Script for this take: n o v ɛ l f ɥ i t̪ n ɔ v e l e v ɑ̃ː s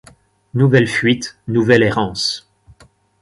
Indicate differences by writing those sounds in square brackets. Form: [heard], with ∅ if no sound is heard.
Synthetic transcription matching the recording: n [u] v ɛ l f ɥ i t̪ n [u] v [ɛ] l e [ʁ] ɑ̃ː s

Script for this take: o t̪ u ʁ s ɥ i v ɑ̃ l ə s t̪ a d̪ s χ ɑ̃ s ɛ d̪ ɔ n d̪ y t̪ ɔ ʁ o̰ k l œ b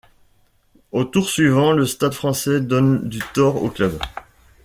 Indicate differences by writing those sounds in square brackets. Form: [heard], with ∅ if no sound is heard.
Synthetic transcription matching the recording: o t̪ u ʁ s ɥ i v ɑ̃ l ə s t̪ a d̪ [f] χ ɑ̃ s ɛ d̪ ɔ n d̪ y t̪ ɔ ʁ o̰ k l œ b

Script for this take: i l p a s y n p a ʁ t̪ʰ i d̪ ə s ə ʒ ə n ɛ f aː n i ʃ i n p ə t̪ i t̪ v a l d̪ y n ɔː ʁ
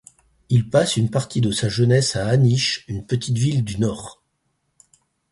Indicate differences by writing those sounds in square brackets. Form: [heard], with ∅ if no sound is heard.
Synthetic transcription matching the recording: i l p a s y n p a ʁ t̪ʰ i d̪ ə s [a] ʒ ə n ɛ [s] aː n i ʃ [y] n p ə t̪ i t̪ v [i] l d̪ y n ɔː ʁ

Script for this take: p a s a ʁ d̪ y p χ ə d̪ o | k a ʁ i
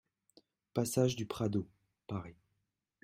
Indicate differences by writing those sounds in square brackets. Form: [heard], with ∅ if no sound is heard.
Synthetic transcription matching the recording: p a s a [ʒ] d̪ y p χ [a] d̪ o | [p] a ʁ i

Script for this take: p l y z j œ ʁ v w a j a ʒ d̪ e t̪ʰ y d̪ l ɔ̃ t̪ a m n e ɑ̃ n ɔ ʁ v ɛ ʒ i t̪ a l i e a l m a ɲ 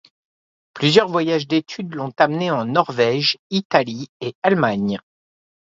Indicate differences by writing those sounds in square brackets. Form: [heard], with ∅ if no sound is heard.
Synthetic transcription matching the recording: p l y z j œ ʁ v w a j a ʒ d̪ e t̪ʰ y d̪ l ɔ̃ t̪ a m n e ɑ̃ n ɔ ʁ v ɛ ʒ i t̪ a l i e a l m a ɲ

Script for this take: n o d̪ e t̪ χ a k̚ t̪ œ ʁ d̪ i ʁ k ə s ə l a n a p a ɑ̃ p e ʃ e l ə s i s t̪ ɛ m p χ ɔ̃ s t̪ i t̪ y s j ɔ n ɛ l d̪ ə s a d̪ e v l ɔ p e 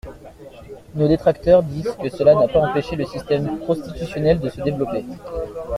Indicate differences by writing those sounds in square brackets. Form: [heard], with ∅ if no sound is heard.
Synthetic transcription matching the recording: n o d̪ e t̪ χ a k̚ t̪ œ ʁ d̪ i [z] k ə s ə l a n a p a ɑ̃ p e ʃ e l ə s i s t̪ ɛ m p χ ɔ̃ s t̪ i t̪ y s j ɔ n ɛ l d̪ ə s [ə] d̪ e v l ɔ p e

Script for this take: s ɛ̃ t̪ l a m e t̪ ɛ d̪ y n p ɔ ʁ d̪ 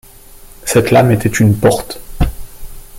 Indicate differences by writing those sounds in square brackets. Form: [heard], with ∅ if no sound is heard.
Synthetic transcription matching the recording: s [ɛ] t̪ l a m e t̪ ɛ [t̪] y n p ɔ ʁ [t̪]

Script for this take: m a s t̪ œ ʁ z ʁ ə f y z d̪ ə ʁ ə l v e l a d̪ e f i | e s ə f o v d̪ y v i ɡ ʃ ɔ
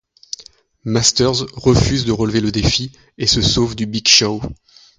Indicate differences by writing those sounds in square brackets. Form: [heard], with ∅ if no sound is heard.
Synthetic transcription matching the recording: m a s t̪ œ ʁ z ʁ ə f y z d̪ ə ʁ ə l v e l [ə] d̪ e f i | e s ə [s] o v d̪ y [b] i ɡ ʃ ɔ

